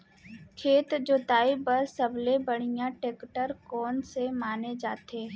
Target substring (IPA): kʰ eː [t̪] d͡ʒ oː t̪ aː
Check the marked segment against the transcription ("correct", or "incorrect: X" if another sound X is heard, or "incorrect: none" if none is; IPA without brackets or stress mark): correct